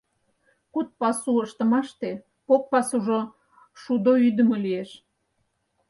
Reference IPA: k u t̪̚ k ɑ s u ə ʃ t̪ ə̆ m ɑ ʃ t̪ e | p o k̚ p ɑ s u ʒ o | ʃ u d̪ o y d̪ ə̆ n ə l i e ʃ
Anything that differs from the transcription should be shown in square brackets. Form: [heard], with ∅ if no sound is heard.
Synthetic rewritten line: k u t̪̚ [p] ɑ s u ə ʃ t̪ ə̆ m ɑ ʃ t̪ e | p o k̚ p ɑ s u ʒ o | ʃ u d̪ o y d̪ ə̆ [m] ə l i e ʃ